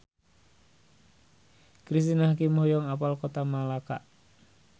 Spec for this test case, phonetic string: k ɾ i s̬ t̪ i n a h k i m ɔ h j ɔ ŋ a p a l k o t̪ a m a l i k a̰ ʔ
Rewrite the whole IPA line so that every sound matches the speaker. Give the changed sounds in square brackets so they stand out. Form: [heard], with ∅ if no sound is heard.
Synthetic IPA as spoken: k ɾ i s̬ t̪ i n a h k i m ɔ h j ɔ ŋ a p a l k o t̪ a m a l [a] k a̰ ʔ